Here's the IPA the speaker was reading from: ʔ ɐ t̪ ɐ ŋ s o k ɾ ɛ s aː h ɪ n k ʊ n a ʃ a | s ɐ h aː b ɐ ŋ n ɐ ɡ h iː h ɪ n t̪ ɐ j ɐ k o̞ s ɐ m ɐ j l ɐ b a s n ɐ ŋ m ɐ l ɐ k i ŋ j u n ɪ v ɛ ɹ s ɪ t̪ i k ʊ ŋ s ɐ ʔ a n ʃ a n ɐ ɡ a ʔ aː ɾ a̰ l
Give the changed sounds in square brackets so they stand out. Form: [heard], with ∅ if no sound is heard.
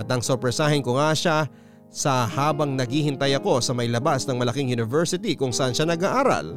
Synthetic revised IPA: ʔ ɐ t̪ ɐ ŋ s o [p] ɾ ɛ s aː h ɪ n k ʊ [ŋ] a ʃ a | s ɐ h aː b ɐ ŋ n ɐ ɡ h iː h ɪ n t̪ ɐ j ɐ k o̞ s ɐ m ɐ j l ɐ b a s n ɐ ŋ m ɐ l ɐ k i ŋ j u n ɪ v ɛ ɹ s ɪ t̪ i k ʊ ŋ s ɐ ʔ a n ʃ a n ɐ ɡ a ʔ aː ɾ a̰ l